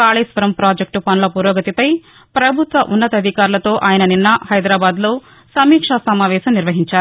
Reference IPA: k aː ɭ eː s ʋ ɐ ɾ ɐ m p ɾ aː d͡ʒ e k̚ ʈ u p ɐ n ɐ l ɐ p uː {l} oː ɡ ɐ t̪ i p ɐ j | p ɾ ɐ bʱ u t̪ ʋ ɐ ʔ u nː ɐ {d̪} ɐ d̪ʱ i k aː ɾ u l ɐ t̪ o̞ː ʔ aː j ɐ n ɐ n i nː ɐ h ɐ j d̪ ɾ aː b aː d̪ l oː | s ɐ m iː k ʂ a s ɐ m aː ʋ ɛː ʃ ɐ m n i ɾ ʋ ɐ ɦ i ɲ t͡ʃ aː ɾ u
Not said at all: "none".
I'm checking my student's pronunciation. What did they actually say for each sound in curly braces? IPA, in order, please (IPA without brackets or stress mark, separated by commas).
ɾ, t̪